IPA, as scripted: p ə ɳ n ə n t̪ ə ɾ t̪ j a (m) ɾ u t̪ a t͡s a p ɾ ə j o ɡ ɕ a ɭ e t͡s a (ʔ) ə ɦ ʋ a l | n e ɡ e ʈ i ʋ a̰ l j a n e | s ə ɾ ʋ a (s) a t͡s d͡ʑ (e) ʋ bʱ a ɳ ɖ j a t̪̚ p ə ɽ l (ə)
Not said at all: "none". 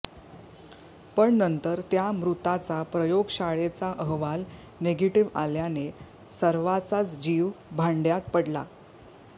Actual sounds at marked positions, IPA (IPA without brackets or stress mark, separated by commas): m, ʔ, t͡s, i, a